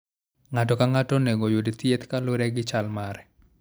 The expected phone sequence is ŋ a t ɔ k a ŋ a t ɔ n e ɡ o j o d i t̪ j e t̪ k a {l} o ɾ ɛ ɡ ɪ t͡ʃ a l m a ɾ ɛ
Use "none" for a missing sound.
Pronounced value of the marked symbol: l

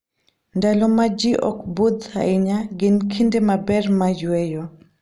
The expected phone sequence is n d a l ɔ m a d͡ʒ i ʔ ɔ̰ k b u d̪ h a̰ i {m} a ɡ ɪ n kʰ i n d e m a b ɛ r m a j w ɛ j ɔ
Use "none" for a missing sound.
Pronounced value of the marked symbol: ɲ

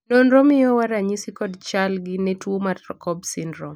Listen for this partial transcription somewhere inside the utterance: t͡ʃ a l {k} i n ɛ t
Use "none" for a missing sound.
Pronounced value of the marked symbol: ɡ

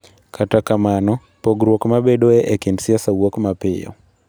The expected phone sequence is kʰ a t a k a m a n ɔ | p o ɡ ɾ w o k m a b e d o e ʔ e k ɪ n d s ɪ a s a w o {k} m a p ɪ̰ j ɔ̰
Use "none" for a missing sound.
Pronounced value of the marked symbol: k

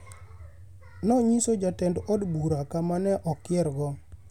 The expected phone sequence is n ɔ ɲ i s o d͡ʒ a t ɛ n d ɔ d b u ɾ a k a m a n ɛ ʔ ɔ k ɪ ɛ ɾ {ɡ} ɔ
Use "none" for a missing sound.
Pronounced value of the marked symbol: ɡ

